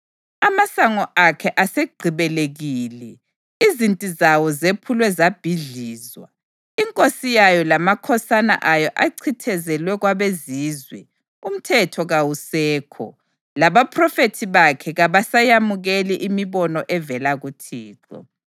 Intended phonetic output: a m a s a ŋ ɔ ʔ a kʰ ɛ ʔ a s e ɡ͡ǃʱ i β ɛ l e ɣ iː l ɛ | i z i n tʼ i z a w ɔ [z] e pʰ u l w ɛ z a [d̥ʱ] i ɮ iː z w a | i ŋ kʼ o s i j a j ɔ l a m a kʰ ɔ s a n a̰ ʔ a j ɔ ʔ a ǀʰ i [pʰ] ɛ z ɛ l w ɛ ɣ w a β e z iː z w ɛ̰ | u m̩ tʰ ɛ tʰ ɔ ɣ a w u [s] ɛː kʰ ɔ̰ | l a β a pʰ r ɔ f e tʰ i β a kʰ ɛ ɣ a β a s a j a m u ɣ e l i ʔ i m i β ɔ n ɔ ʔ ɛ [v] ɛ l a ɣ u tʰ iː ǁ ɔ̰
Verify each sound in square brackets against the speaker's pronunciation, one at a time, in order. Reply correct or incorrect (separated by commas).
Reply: correct, incorrect, incorrect, correct, correct